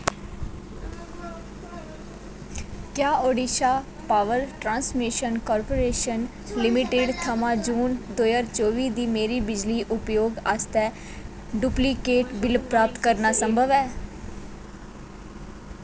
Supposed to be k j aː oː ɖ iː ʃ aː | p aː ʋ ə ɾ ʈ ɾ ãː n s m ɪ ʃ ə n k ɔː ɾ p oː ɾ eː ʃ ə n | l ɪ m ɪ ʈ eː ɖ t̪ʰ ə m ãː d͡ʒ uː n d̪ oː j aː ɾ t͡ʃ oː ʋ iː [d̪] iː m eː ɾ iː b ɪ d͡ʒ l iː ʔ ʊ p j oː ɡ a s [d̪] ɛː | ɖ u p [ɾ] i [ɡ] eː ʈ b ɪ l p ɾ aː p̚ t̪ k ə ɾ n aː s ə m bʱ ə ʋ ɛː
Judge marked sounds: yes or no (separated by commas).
yes, no, no, no